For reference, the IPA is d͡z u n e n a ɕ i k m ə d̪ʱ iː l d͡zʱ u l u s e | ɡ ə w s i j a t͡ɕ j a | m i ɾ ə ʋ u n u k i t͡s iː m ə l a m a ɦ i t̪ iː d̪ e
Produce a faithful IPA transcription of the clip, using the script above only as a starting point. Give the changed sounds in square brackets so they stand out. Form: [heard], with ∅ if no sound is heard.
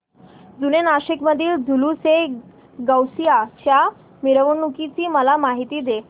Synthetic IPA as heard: d͡z u n e n a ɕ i k m ə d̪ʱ iː l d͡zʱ u l u s e | ɡ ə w s i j a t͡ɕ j a | m i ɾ ə ʋ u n u k i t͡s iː m ə l a m a ɦ i t̪ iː d̪ e